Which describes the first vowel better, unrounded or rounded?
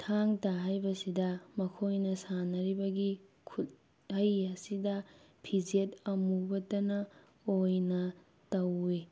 unrounded